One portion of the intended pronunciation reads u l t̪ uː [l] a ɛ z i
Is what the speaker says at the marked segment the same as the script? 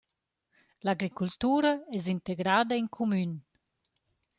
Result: no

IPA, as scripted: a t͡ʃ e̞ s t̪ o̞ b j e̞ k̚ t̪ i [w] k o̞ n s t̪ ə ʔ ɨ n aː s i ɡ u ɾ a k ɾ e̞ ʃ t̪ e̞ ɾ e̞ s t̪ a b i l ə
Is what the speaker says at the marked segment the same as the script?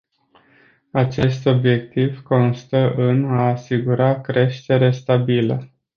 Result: no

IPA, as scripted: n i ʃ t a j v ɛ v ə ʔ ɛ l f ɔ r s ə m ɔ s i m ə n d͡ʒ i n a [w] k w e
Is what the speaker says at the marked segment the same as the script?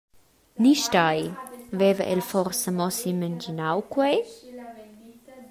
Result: yes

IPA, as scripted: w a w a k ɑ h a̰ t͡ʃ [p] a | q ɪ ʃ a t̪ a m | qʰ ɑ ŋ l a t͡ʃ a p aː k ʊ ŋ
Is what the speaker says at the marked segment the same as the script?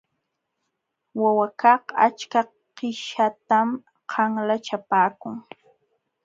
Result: no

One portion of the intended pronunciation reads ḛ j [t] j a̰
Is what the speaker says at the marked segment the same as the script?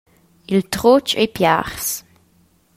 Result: no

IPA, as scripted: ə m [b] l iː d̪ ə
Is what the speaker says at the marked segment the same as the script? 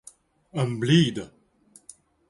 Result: yes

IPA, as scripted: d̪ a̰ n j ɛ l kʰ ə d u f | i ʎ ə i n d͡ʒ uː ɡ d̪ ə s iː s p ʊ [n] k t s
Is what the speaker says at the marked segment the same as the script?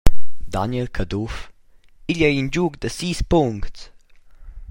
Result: no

